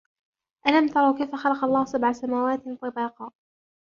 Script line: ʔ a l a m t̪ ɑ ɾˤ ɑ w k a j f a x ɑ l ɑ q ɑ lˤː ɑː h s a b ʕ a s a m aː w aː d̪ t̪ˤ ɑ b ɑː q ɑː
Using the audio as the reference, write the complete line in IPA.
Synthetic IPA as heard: ʔ a l a m t̪ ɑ ɾˤ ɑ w k a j f a x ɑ l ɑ q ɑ lˤː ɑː h s a b ʕ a s a m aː w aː t̪ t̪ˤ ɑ b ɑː q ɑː